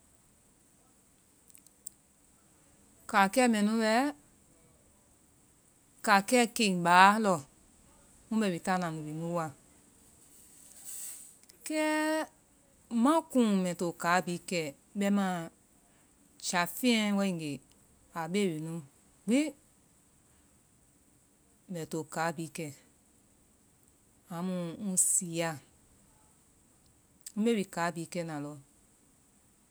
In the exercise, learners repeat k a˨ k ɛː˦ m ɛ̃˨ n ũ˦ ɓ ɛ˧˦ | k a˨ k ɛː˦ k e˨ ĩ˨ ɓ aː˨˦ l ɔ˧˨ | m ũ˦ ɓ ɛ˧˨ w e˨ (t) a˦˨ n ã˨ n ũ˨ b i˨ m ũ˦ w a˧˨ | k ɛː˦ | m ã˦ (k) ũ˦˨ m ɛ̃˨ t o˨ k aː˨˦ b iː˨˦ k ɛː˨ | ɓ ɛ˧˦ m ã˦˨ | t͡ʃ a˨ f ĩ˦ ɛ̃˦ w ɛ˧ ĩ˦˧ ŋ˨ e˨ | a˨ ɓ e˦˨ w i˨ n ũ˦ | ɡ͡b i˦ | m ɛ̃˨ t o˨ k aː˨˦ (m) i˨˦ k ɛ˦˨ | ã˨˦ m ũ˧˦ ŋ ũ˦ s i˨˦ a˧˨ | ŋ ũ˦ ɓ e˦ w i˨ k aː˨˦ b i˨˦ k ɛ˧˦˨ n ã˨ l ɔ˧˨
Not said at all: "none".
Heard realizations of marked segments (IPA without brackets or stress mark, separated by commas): t, k, b